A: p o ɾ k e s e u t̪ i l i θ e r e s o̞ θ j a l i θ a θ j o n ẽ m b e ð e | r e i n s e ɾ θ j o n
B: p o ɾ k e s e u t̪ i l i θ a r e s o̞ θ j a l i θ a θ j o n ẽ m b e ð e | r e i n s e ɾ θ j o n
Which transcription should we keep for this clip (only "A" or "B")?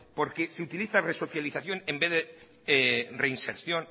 B